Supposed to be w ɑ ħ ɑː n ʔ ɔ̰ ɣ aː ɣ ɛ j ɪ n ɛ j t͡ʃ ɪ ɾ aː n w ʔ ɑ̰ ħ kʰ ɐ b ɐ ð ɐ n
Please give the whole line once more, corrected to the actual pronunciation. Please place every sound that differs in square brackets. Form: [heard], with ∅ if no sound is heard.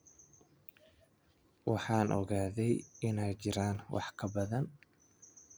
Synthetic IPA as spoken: w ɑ ħ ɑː n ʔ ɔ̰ ɣ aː [ð] ɛ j ɪ n ɛ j t͡ʃ ɪ ɾ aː n w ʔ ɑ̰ ħ kʰ ɐ b ɐ ð ɐ n

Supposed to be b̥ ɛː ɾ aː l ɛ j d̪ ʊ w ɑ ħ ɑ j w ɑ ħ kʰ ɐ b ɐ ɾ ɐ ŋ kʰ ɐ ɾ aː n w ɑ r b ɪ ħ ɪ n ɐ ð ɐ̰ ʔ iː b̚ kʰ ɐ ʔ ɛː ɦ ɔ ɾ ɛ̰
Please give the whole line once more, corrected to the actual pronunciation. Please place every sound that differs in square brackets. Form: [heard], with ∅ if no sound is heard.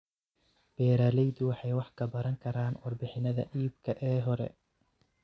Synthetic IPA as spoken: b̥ ɛː ɾ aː l ɛ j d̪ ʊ w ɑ ħ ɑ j w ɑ ħ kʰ ɐ b ɐ ɾ ɐ ŋ kʰ ɐ ɾ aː n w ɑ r b ɪ ħ ɪ n ɐ ð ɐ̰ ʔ iː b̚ kʰ ɐ ʔ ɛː ɦ ɔ ɾ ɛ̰

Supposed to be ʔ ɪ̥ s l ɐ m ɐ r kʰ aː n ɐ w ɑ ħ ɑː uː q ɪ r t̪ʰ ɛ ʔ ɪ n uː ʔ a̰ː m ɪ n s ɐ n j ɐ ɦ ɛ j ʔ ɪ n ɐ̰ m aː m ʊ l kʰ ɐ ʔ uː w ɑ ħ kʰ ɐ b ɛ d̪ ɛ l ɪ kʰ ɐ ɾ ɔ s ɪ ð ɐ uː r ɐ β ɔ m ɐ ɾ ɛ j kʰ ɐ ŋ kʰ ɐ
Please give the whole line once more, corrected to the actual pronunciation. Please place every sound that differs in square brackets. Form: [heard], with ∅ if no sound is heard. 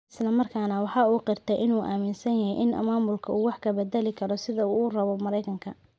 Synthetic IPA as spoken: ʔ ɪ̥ s l ɐ m ɐ r kʰ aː n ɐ w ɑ ħ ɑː uː q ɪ r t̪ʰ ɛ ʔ ɪ n uː ʔ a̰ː m ɪ n s ɐ n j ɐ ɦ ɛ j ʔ ɪ n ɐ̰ m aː m ʊ l kʰ ɐ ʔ uː w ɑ ħ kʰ ɐ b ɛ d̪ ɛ l ɪ kʰ ɐ ɾ ɔ s ɪ ð ɐ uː r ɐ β ɔ m ɐ ɾ ɛ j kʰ ɐ ŋ kʰ ɐ

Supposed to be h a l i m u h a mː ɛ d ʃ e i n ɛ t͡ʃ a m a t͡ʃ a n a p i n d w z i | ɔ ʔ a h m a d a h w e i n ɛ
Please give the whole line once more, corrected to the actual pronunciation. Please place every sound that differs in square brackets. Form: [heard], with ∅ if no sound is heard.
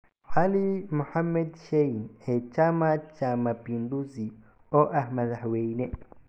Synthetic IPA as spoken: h a l i m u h a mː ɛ d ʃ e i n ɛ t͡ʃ a m a t͡ʃ a [m] a p i n d [u] z i | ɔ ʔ a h m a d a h w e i n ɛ

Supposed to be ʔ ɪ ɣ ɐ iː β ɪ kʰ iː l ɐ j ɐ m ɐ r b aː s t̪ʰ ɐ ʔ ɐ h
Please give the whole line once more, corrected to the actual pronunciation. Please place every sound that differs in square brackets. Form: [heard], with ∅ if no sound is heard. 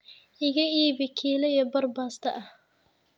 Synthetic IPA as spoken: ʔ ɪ ɣ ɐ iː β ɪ kʰ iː l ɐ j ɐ [b] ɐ r b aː s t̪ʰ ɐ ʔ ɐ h

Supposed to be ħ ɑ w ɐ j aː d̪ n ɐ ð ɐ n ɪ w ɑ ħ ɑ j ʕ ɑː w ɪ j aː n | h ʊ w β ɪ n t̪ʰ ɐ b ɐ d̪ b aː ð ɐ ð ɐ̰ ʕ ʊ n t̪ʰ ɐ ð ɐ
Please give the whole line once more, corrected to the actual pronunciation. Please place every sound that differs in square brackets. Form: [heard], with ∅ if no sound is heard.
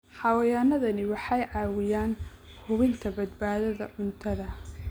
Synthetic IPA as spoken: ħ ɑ w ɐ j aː [∅] n ɐ ð ɐ n ɪ w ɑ ħ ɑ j ʕ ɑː w ɪ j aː n | h ʊ [∅] β ɪ n t̪ʰ ɐ b ɐ d̪ b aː ð ɐ ð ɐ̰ ʕ ʊ n t̪ʰ ɐ ð ɐ

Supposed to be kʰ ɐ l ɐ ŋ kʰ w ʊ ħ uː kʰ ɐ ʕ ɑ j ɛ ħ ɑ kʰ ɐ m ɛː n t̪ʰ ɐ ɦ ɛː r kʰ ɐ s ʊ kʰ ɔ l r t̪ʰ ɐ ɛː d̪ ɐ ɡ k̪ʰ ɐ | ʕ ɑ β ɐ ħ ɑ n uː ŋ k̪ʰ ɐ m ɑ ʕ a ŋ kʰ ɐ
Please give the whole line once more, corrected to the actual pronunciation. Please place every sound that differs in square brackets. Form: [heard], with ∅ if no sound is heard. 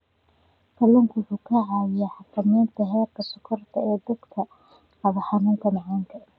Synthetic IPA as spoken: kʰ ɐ l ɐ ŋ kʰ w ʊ ħ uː kʰ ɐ ʕ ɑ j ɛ ħ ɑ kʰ ɐ m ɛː n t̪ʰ ɐ ɦ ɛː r kʰ ɐ s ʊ kʰ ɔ [∅] r t̪ʰ ɐ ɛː d̪ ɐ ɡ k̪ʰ ɐ | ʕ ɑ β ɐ ħ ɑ n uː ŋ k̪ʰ ɐ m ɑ ʕ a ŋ kʰ ɐ

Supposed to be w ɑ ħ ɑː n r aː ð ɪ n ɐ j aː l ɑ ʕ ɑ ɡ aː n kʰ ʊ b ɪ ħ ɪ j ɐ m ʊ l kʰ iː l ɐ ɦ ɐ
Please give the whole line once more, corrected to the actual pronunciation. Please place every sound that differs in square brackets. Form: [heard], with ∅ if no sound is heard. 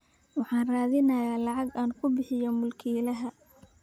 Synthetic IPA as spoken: w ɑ ħ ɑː n r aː ð ɪ n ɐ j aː l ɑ ʕ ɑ ɡ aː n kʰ ʊ b ɪ ħ ɪ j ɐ m ʊ l kʰ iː l ɐ ɦ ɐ

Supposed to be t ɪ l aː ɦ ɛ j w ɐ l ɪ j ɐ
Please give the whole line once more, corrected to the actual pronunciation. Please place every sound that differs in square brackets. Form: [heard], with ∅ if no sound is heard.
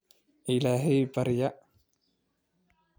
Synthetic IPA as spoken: [ʔ] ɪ l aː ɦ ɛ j [b] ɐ [ɾ] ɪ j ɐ

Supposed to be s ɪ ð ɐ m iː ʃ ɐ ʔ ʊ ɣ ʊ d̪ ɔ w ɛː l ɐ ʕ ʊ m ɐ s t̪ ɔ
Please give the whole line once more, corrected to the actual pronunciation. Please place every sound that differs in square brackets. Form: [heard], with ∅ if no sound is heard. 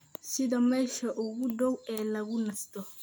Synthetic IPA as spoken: s ɪ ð ɐ m [ɛː] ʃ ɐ ʔ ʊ ɣ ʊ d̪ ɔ w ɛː l ɐ [ɣ] ʊ [n] ɐ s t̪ ɔ

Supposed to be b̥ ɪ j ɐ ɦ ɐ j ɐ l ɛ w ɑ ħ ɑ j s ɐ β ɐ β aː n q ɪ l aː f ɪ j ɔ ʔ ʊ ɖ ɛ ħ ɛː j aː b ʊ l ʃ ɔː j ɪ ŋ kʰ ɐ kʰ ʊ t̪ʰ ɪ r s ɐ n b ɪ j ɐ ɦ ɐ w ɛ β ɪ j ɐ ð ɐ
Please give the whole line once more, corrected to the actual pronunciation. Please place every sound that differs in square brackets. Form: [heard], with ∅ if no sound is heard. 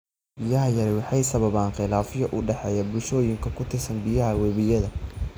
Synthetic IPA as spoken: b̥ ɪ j ɐ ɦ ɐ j ɐ [ɾ] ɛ w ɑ ħ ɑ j s ɐ β ɐ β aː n q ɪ l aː f ɪ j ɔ ʔ ʊ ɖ ɛ ħ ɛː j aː b ʊ l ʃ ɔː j ɪ ŋ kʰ ɐ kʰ ʊ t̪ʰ ɪ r s ɐ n b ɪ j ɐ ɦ ɐ w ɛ β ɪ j ɐ ð ɐ

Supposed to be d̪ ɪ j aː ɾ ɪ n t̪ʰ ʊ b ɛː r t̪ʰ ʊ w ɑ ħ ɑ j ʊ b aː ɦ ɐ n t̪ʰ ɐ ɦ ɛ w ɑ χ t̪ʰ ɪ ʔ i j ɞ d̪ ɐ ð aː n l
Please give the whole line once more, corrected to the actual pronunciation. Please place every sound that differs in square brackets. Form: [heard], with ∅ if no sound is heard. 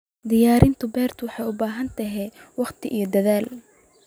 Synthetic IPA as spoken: d̪ ɪ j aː ɾ ɪ n t̪ʰ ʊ b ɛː r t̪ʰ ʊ w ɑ ħ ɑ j ʊ b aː ɦ ɐ n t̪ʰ ɐ ɦ ɛ w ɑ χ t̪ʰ ɪ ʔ i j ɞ d̪ ɐ ð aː [∅] l

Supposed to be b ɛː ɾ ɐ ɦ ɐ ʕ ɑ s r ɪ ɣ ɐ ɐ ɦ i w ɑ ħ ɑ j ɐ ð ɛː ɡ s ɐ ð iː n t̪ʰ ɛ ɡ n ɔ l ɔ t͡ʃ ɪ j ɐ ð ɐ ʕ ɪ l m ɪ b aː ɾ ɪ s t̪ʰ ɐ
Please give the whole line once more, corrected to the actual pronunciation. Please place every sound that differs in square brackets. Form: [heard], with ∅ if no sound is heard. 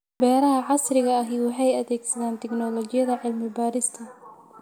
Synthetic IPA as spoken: b ɛː ɾ ɐ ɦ ɐ ʕ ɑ s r ɪ ɣ ɐ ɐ ɦ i w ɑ ħ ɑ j ɐ ð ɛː ɡ s ɐ ð [aː] n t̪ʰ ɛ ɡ n ɔ l ɔ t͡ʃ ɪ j ɐ ð ɐ ʕ ɪ l m ɪ b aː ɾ ɪ s t̪ʰ ɐ

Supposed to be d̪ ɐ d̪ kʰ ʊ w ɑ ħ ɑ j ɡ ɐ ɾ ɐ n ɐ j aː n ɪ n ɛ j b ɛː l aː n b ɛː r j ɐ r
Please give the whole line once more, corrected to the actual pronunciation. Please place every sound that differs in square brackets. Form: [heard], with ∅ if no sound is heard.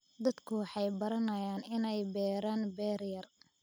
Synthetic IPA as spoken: d̪ ɐ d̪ kʰ ʊ w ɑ ħ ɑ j [b] ɐ ɾ ɐ n ɐ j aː n ɪ n ɛ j b ɛː [ɾ] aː n b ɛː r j ɐ r

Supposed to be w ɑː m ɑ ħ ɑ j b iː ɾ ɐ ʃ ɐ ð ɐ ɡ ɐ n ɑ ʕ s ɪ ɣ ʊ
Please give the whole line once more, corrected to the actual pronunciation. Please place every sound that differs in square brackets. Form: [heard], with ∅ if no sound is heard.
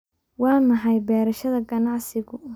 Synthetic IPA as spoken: w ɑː m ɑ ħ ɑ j b [ɛː] ɾ ɐ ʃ ɐ ð ɐ ɡ ɐ n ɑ ʕ s ɪ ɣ ʊ

